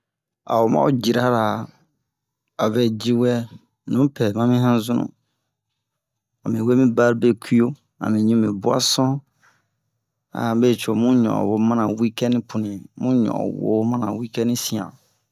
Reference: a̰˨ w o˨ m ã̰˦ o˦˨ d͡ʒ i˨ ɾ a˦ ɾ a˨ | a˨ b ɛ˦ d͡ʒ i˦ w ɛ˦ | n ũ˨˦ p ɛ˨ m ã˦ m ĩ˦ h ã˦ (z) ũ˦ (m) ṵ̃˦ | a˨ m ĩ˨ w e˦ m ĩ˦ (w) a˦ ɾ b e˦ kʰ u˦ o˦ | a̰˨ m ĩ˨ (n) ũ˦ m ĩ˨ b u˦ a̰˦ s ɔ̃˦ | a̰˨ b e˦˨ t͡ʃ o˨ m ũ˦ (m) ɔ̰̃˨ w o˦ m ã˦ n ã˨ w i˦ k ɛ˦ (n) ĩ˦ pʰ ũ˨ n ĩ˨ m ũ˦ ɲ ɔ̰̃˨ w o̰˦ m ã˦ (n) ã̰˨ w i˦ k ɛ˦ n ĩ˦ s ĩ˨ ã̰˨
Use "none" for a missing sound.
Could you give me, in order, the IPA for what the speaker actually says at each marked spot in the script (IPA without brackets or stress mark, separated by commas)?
z, n, b, ɲ, ɲ, n, n